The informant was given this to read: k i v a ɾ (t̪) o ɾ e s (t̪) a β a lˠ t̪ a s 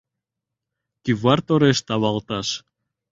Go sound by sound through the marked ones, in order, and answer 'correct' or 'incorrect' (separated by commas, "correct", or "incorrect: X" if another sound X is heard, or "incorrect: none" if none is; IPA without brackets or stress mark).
correct, correct